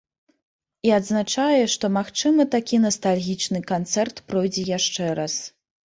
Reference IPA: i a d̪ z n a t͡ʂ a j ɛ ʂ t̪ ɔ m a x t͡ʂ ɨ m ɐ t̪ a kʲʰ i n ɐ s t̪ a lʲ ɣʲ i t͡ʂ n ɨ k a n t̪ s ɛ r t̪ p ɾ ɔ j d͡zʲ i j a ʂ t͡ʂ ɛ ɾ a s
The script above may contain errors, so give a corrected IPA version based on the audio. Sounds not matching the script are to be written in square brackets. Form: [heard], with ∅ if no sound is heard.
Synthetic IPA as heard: i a d̪ z n a t͡ʂ a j ɛ ʂ t̪ ɔ m a x t͡ʂ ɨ m ɐ t̪ a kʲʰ i n ɐ s t̪ a lʲ ɣʲ i t͡ʂ n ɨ k a n t̪ s ɛ r t̪ p ɾ ɔ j d͡zʲ [ɛ] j a ʂ t͡ʂ ɛ ɾ a s